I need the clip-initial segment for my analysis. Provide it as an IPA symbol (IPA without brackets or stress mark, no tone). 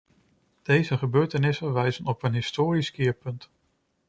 d̥